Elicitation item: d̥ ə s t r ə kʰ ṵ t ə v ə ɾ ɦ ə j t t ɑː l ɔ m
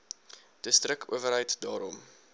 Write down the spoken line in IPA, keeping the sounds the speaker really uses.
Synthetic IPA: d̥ ə s t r ə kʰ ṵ ə v ə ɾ ɦ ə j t d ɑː ɾ ɔ m

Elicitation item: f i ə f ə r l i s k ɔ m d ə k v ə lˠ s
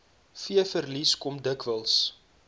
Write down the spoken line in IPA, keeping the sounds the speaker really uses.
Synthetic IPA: f i ə f ə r l i s k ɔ m d ə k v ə lˠ s

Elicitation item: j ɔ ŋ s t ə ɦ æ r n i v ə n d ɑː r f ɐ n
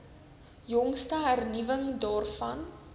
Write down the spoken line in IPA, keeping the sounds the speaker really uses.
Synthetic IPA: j ɔ ŋ s t ə ɦ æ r n i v ə ŋ d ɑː r f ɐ n

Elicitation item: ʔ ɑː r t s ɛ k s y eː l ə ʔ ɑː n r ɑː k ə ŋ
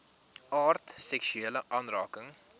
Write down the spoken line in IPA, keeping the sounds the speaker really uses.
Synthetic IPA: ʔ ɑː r t s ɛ k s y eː l ə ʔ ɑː n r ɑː k ə ŋ

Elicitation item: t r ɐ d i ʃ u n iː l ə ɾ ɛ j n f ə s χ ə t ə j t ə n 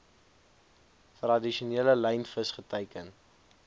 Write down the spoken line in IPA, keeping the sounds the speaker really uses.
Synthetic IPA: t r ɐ d i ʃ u n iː l ə l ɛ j n f ə s χ ə t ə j k ə n

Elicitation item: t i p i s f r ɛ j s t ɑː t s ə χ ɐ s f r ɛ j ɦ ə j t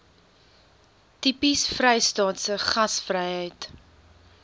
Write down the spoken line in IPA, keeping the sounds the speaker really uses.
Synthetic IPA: t i p i s f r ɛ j s t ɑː t s ə χ ɐ s f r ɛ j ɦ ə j t

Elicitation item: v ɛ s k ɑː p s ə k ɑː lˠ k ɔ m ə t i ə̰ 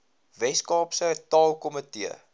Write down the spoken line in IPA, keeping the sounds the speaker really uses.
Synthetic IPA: v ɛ s k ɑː p s ə t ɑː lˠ k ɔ m ə t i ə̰

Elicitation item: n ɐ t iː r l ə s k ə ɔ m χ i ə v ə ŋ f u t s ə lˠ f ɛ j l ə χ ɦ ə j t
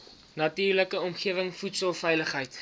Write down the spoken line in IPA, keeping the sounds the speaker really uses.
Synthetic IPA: n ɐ t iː r l ə k ə ɔ m χ i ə v ə ŋ f u t s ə lˠ f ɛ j l ə χ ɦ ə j t

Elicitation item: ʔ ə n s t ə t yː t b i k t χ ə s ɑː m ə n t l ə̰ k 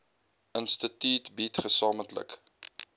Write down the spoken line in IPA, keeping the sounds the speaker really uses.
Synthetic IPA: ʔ ə n s t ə t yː t b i t χ ə s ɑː m ə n t l ə̰ k

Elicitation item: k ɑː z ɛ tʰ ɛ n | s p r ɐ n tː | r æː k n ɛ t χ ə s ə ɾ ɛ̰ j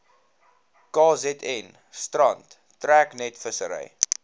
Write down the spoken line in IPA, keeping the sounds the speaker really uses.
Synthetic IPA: k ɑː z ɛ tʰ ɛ n | s t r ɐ n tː | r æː k n ɛ t f ə s ə ɾ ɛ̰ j

